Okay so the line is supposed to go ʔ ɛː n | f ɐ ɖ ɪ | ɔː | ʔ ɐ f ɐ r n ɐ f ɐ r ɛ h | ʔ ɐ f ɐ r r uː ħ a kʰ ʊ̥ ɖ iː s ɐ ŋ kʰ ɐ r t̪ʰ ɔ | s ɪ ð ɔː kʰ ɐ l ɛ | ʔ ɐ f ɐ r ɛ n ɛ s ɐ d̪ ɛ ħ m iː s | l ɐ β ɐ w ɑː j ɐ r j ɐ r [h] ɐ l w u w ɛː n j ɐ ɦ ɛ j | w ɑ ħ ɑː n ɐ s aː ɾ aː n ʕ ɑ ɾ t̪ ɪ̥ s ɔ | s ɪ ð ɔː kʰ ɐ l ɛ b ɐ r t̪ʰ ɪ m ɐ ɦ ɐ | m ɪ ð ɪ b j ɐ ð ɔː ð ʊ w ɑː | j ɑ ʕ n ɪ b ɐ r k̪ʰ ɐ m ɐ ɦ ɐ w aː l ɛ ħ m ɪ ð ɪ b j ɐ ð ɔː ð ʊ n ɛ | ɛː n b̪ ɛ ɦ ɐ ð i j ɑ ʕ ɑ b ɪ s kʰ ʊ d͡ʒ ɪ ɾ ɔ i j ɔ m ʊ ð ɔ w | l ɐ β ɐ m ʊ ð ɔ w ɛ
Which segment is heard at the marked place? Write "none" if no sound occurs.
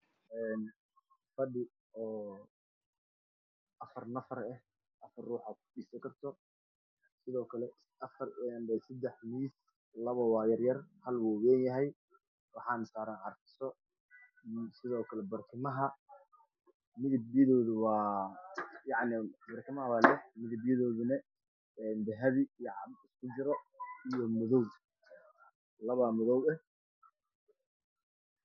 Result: h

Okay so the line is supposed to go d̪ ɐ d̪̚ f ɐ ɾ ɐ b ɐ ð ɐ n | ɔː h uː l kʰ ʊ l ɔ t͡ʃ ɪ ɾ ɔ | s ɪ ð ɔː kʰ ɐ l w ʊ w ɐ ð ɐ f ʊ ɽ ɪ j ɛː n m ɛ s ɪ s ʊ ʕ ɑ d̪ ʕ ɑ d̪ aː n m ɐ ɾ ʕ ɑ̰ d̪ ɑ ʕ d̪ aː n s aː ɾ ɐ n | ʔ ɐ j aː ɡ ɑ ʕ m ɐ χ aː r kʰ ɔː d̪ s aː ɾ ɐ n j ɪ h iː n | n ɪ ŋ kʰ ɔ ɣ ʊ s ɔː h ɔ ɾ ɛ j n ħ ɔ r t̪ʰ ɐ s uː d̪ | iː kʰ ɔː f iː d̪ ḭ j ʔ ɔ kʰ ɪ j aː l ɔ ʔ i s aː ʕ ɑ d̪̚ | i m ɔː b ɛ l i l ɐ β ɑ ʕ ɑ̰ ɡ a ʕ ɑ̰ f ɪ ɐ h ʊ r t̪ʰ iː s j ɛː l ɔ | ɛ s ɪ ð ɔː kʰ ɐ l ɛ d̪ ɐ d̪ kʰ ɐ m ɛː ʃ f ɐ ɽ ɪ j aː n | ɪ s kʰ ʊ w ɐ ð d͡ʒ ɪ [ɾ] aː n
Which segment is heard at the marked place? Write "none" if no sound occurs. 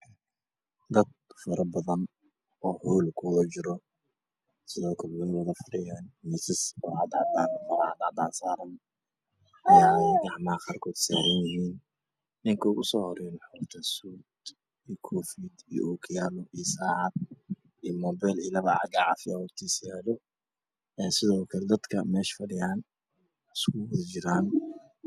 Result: ɾ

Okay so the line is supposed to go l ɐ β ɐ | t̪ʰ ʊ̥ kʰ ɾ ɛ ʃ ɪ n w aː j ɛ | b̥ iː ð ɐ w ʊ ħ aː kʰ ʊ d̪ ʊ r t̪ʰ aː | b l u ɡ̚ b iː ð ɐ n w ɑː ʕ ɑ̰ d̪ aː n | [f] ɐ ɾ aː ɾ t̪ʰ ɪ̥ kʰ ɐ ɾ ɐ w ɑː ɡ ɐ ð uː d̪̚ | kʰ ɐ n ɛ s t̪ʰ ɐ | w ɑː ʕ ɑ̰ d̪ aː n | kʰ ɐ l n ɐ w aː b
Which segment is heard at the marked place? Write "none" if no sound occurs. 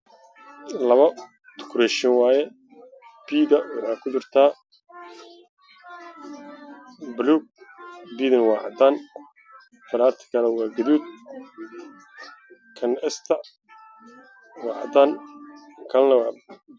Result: f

